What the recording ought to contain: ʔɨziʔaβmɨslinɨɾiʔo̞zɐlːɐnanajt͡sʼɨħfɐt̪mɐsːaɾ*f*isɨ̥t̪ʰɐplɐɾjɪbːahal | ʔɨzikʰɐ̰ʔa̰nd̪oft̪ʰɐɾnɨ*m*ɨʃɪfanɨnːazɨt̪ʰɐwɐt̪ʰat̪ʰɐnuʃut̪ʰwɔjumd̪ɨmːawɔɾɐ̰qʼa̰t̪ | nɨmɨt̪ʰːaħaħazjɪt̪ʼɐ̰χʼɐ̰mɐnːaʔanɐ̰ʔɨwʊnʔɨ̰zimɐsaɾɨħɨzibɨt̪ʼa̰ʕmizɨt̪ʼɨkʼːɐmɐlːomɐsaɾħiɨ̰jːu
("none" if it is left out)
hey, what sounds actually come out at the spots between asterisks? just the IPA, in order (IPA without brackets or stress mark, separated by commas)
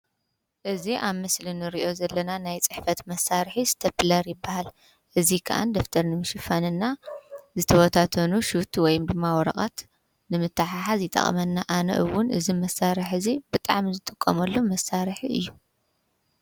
ħ, m